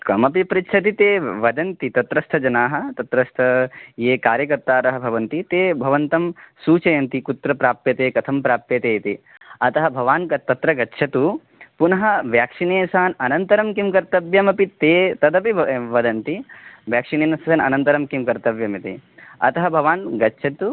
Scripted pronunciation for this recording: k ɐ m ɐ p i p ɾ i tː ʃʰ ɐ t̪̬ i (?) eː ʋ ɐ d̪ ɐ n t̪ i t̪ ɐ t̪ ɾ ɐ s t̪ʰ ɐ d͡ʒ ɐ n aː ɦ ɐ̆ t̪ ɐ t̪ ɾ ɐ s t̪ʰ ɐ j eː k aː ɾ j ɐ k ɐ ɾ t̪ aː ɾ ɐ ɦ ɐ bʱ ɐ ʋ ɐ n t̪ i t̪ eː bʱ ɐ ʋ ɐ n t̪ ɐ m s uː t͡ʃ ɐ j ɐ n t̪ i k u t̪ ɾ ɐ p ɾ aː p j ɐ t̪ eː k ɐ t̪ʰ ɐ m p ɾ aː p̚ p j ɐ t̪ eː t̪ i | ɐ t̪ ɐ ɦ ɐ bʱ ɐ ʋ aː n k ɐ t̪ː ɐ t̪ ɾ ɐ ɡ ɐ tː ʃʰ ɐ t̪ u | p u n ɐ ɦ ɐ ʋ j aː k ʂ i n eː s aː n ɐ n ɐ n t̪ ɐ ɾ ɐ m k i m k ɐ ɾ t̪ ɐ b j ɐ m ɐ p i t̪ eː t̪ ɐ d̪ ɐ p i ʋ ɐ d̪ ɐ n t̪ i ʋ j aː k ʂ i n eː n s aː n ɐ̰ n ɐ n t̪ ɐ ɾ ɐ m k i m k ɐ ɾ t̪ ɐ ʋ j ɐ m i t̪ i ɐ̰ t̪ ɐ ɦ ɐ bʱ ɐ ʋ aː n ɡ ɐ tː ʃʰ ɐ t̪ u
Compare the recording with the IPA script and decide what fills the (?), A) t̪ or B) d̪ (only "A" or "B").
A